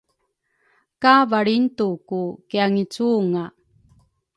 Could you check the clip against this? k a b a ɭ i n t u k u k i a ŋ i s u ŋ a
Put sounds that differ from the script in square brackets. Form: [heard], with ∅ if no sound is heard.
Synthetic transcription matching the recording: k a [v] a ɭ i n t u k u k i a ŋ i [t͡s] u ŋ a